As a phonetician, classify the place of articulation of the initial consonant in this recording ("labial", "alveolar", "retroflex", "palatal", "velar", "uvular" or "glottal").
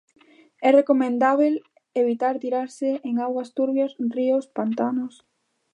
alveolar